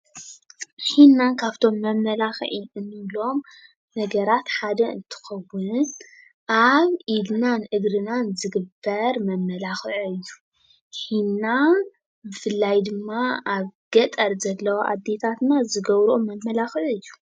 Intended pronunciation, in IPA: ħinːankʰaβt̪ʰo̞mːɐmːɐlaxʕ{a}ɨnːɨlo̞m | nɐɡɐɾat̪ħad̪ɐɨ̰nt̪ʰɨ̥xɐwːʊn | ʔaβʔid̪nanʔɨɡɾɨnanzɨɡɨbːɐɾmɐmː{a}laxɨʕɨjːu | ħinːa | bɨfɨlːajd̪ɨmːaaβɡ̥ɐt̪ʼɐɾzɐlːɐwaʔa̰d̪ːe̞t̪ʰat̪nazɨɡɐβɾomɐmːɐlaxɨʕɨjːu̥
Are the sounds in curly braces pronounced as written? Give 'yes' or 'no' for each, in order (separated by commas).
no, no